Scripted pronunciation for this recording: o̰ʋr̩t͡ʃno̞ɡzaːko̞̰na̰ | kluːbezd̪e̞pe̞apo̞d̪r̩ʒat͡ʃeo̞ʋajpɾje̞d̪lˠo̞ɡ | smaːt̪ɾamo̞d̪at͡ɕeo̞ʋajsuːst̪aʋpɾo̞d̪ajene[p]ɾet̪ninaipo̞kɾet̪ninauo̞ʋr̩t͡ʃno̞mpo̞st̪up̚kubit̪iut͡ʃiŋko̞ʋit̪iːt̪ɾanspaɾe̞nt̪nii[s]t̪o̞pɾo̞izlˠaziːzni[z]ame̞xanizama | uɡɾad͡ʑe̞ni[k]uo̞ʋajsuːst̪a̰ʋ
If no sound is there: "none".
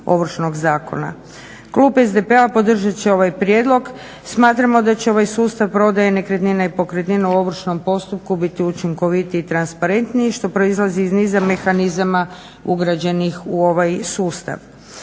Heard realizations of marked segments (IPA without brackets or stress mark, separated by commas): k, ʃ, z, x